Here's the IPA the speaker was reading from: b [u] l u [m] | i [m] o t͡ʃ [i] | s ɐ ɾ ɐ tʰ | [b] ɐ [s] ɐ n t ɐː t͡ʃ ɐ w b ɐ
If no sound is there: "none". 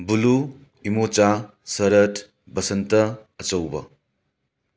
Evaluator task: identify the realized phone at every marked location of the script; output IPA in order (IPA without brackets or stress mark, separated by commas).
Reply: u, none, m, a, b, s